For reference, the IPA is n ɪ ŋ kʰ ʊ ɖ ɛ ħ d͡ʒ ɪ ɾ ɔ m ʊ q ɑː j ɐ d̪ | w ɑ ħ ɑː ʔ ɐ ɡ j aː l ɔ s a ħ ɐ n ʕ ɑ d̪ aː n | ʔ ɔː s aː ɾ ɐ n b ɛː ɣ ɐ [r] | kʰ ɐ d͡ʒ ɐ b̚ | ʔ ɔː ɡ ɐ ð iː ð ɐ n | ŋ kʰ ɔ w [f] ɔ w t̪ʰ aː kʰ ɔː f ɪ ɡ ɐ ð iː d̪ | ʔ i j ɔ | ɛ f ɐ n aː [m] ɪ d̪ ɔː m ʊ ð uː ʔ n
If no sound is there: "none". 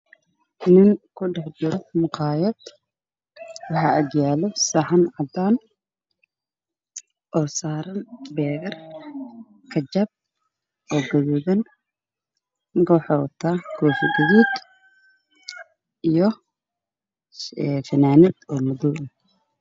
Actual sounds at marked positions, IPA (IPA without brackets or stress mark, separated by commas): r, ħ, n